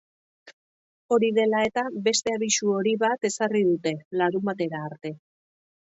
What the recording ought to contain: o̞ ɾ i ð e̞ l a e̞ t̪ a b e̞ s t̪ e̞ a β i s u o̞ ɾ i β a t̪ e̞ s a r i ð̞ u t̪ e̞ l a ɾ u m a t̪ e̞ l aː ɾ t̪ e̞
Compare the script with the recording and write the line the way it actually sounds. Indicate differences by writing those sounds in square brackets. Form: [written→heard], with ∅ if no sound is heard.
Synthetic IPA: o̞ ɾ i ð e̞ l a e̞ t̪ a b e̞ s t̪ e̞ a β i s u o̞ ɾ i β a t̪ e̞ s a r i ð̞ u t̪ e̞ l a ɾ u m a t̪ e̞ [l→ɾ] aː ɾ t̪ e̞